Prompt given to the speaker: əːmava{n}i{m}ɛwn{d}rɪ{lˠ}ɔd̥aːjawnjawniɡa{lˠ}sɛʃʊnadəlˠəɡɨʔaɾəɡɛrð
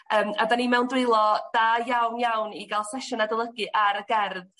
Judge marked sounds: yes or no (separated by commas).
yes, yes, yes, yes, yes